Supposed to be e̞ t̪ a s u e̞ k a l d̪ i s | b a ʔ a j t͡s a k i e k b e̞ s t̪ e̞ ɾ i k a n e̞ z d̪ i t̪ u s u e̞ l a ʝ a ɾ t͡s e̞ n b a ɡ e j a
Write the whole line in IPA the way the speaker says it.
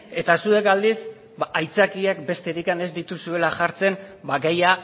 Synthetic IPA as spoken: e̞ t̪ a s u e̞ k a l d̪ i s | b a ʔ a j t͡s a k i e k b e̞ s t̪ e̞ ɾ i k a n e̞ z d̪ i t̪ u s u e̞ l a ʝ a ɾ t͡s e̞ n b a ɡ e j a